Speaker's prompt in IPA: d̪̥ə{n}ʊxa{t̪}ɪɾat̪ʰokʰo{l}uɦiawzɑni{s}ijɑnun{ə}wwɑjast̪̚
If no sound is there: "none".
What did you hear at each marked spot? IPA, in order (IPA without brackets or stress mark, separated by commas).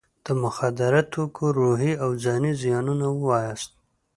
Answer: m, d̪, ɾ, z, a